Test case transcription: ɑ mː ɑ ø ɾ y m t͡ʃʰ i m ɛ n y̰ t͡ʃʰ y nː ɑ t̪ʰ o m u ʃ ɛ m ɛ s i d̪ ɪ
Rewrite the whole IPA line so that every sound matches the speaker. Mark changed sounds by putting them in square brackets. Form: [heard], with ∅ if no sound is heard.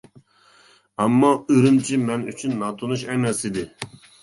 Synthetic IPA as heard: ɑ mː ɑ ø ɾ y m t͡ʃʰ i m ɛ n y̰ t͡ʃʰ y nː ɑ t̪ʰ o [n] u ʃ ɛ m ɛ s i d̪ ɪ